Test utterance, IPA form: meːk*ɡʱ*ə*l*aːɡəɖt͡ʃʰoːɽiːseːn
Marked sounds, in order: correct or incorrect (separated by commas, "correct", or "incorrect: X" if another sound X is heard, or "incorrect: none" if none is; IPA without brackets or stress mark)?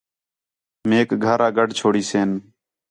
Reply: correct, incorrect: ɾ